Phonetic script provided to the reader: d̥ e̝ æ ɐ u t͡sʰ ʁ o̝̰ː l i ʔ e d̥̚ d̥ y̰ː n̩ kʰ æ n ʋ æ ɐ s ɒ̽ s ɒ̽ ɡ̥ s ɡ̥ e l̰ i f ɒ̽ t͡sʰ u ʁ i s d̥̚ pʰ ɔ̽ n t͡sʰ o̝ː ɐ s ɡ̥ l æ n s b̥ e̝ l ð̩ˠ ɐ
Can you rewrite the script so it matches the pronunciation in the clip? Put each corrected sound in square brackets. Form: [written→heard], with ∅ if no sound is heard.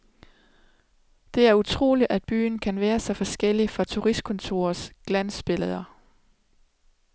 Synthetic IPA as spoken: d̥ e̝ æ ɐ u t͡sʰ ʁ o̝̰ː l i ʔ [e→æ] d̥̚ [d̥→b̥] y̰ː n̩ kʰ æ n ʋ [æ→æː] ɐ s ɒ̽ [s→f] ɒ̽ [ɡ̥→∅] s ɡ̥ e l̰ i f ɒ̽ t͡sʰ u ʁ i s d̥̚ [pʰ→kʰ] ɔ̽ n t͡sʰ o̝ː ɐ s ɡ̥ l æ n s b̥ e̝ l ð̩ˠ ɐ